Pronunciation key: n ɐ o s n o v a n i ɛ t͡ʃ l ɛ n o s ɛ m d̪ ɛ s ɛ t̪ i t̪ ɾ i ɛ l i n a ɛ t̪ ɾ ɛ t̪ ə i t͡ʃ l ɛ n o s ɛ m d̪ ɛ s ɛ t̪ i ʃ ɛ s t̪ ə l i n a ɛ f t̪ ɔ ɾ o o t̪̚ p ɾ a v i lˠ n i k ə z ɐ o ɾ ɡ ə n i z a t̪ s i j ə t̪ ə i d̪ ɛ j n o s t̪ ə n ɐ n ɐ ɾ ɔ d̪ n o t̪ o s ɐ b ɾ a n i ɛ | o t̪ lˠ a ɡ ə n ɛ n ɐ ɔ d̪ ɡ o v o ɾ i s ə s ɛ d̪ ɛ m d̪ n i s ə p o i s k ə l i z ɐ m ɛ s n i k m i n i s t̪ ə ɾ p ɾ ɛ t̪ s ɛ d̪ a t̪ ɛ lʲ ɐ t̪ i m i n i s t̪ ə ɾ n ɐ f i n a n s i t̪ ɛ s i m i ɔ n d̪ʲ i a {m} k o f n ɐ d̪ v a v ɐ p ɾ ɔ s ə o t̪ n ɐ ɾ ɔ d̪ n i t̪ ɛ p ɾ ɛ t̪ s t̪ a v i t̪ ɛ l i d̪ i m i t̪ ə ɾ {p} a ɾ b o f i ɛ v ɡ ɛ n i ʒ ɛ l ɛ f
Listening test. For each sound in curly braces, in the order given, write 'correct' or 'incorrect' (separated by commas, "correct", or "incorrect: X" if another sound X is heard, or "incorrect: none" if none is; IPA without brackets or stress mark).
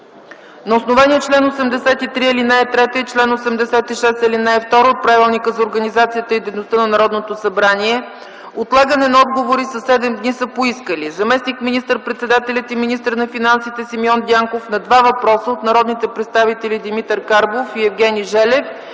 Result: incorrect: ŋ, incorrect: k